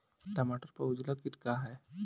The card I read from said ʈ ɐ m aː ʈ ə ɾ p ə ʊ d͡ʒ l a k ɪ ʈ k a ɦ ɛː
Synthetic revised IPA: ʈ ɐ m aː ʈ ə ɾ p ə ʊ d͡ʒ l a k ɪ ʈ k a ɦ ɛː

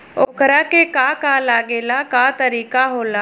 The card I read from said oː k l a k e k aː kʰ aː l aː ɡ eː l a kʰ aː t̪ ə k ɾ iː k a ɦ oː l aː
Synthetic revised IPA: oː k ɾ a k e k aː k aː l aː ɡ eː l a k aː t̪ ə ɾ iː k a ɦ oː l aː

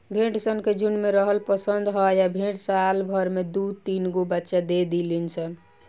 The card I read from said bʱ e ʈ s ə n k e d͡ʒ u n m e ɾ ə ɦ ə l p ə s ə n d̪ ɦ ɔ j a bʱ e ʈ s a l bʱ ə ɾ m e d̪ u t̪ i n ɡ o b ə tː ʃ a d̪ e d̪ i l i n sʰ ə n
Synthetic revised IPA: bʱ e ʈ s ə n k e d͡ʒ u n m e ɾ ə ɦ ə l p ə s ə n d̪ ɦ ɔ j a bʱ e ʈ s a l bʱ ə ɾ m e d̪ u t̪ i n ɡ o b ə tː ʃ a d̪ e d̪ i l i n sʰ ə n

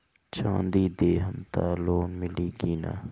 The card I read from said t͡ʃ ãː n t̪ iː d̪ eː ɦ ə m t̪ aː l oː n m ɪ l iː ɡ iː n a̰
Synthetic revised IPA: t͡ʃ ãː n d̪ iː d̪ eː ɦ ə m t̪ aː l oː n m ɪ l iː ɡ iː n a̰

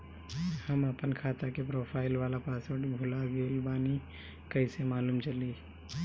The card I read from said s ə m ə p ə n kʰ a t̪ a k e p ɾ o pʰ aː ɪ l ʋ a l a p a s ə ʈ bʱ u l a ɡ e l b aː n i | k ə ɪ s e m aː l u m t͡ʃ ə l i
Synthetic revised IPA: h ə m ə p ə n kʰ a t̪ a k e p ɾ o pʰ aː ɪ l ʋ a l a p a s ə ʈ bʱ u l a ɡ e l b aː n i | k ə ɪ s e m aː l u m t͡ʃ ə l i

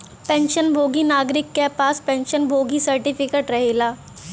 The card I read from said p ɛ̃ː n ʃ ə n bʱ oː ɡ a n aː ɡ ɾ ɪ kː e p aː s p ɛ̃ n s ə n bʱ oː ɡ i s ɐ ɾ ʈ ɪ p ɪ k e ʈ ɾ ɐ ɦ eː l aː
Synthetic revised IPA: p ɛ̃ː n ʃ ə n bʱ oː ɡ i n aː ɡ ɾ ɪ kː e p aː s p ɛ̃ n ʃ ə n bʱ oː ɡ i s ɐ ɾ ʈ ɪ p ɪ k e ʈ ɾ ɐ ɦ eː l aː

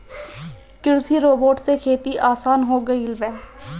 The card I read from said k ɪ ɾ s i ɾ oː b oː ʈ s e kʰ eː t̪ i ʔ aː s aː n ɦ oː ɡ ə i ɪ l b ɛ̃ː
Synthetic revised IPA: k ɪ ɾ s i ɾ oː b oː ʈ s e kʰ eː t̪ i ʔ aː s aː n ɦ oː ɡ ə i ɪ l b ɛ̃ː

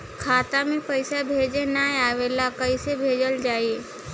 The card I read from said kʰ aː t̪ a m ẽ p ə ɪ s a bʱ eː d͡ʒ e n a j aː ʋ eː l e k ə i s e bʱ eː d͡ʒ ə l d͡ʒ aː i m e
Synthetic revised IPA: kʰ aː t̪ a m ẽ p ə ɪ s a bʱ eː d͡ʒ e n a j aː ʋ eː l a k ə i s e bʱ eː d͡ʒ ə l d͡ʒ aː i e

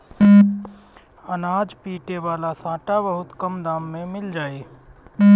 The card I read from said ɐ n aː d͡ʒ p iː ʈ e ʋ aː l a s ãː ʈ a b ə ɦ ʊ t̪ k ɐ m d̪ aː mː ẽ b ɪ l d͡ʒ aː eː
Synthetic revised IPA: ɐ n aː d͡ʒ p iː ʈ e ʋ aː l a s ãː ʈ a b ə ɦ ʊ t̪ k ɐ m d̪ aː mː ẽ m ɪ l d͡ʒ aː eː

